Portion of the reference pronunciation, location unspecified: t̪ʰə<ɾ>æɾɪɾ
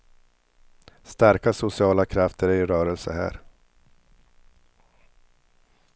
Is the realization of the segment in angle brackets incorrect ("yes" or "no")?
no